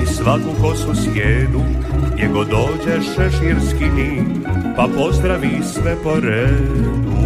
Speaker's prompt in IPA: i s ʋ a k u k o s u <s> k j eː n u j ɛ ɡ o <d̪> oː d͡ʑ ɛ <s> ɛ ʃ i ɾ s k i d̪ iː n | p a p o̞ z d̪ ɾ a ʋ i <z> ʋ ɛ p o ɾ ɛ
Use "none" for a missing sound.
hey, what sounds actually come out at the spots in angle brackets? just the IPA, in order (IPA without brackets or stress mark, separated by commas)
s, d̪, ʃ, s